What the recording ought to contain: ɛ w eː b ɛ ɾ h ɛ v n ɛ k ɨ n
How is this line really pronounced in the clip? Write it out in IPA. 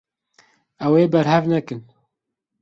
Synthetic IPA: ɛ w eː b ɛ ɾ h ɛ v n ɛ k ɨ n